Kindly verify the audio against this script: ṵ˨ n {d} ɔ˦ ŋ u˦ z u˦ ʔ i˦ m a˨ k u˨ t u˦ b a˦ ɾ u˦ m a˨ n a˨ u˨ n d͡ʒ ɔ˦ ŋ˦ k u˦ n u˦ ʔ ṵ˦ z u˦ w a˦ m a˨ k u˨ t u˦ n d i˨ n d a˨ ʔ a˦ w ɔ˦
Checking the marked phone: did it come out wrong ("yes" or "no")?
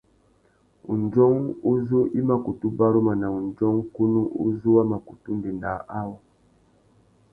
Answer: yes